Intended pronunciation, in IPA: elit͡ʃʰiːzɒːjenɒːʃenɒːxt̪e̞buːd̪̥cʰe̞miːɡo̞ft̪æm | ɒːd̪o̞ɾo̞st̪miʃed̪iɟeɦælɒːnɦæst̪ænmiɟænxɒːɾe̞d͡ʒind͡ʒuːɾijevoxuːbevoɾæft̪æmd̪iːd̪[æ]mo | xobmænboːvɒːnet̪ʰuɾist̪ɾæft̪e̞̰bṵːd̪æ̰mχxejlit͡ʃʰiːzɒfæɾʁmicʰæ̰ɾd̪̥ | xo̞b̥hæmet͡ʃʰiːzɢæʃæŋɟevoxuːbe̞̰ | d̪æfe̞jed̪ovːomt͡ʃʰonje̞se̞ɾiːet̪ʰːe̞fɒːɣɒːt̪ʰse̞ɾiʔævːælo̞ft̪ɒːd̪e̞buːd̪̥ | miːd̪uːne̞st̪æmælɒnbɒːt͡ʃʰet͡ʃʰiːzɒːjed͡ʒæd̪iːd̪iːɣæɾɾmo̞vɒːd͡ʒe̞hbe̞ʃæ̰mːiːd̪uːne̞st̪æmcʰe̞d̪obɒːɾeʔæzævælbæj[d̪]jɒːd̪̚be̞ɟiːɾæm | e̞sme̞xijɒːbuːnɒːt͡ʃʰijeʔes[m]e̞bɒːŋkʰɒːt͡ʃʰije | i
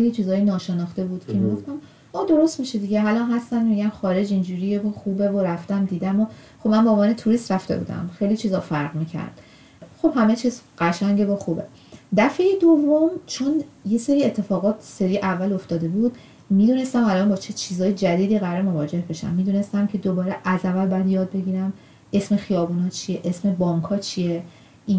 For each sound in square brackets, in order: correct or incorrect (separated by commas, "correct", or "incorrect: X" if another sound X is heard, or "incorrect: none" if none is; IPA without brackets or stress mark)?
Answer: correct, correct, correct